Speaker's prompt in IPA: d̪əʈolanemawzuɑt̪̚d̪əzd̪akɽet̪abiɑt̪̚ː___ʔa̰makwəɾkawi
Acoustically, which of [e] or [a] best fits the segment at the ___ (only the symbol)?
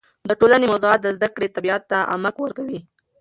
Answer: a